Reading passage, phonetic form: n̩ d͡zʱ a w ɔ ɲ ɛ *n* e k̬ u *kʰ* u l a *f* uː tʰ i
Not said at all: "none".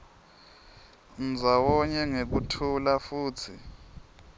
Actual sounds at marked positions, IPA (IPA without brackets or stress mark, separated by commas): ŋ, tʰ, f